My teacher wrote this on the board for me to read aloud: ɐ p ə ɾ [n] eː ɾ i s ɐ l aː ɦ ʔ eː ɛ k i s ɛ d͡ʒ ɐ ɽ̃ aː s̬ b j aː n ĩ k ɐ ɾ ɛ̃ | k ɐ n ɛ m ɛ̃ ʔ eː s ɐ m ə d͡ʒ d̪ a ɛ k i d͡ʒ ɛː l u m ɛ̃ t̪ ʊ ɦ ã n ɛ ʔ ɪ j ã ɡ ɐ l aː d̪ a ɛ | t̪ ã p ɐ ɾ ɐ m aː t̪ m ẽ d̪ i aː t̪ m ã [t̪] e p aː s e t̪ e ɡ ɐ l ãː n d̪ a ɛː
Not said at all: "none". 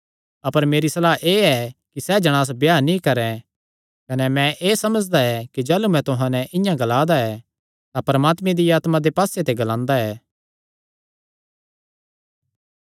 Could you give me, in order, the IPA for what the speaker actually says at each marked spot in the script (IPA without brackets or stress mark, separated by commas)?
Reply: m, d̪